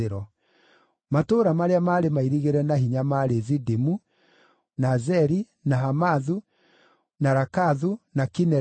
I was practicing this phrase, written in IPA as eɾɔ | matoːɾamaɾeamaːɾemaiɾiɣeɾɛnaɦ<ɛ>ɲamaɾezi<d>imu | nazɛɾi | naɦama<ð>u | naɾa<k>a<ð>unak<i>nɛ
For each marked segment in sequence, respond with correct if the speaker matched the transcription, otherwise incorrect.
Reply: incorrect: i, correct, correct, correct, correct, correct

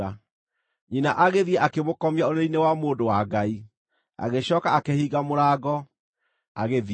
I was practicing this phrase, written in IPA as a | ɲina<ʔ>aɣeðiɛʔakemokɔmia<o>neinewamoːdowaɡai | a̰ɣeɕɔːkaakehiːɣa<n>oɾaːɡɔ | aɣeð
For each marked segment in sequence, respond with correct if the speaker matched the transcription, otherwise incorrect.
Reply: correct, correct, incorrect: m

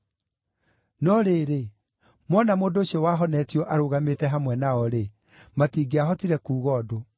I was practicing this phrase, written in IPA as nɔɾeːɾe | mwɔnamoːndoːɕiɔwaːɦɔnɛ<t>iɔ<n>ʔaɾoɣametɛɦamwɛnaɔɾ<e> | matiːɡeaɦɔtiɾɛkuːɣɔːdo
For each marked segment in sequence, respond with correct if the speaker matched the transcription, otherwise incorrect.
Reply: correct, incorrect: none, correct

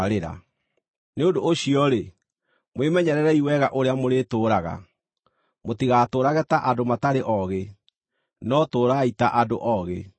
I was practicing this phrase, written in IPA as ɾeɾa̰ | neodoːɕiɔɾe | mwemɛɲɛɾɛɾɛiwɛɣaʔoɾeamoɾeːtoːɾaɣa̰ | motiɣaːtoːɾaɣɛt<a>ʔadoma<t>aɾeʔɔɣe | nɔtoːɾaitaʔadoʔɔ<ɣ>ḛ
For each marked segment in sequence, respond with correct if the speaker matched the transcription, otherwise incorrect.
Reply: correct, correct, correct

